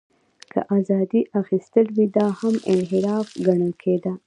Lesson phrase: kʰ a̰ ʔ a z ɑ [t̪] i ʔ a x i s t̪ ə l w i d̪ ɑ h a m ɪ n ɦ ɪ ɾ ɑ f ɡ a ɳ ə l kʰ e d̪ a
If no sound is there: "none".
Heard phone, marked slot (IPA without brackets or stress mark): d̪